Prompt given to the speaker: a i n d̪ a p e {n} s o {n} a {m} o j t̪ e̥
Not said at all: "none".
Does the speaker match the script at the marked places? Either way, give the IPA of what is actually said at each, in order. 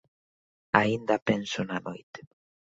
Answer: n, n, n

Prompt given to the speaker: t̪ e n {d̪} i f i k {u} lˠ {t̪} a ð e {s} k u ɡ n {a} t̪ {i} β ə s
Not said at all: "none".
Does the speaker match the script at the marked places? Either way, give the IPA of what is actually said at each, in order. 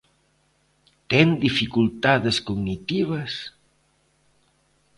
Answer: d̪, u, t̪, s, i, i

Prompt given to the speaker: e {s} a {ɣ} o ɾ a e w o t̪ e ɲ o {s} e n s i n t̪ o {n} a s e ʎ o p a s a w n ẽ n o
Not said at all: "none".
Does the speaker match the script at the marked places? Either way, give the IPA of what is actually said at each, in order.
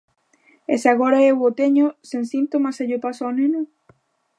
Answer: s, ɣ, s, m

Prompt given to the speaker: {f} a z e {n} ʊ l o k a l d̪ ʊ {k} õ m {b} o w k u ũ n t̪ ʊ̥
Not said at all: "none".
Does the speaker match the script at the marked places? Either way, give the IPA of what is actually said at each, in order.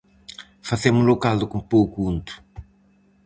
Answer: f, m, k, p

